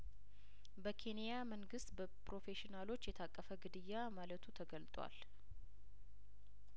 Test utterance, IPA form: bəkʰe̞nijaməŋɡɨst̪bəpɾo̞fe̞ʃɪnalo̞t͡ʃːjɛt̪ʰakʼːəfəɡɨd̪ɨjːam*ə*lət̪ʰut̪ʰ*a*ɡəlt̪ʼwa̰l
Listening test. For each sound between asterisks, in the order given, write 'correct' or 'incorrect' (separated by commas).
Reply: incorrect, incorrect